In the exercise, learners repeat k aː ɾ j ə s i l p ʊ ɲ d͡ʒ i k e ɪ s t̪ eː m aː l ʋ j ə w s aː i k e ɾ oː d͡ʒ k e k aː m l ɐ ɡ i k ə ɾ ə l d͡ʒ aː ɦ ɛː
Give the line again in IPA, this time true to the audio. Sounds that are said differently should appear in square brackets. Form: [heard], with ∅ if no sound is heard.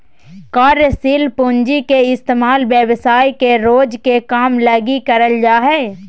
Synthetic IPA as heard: k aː ɾ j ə s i l p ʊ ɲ d͡ʒ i k e ɪ s t̪ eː m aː l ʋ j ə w s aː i k e ɾ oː d͡ʒ k e k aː m l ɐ ɡ i k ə ɾ ə l d͡ʒ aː ɦ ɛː